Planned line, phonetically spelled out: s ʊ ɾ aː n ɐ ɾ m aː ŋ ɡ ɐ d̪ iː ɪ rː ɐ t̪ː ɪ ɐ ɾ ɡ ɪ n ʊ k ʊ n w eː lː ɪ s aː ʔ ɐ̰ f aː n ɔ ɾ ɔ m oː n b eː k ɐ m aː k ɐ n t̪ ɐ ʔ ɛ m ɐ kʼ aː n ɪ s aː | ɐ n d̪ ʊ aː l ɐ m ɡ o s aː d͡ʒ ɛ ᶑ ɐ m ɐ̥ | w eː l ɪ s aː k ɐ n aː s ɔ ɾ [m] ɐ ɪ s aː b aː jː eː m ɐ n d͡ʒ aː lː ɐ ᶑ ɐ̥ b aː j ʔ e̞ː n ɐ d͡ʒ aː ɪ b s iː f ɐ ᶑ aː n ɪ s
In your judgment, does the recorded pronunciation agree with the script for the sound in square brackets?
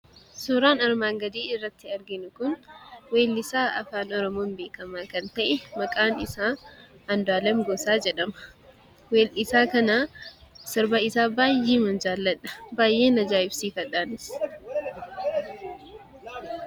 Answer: no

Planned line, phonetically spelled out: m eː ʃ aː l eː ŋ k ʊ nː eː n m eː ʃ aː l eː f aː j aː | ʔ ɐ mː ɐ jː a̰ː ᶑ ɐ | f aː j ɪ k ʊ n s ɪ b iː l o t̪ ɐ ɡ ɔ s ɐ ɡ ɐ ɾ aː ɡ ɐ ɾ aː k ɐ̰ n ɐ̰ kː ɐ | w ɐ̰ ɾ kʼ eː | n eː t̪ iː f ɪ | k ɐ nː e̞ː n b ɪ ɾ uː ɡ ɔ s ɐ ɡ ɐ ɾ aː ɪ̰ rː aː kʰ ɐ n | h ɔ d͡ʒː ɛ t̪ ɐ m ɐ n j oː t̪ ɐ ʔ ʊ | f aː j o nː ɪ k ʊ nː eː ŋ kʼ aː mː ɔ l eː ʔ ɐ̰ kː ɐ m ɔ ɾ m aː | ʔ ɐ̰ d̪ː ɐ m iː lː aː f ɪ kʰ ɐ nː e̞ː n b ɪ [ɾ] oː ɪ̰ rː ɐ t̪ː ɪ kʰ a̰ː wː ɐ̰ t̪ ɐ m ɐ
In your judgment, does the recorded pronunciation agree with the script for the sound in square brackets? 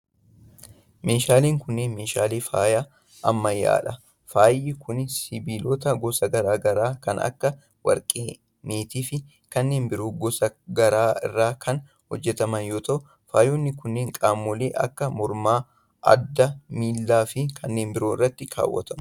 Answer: yes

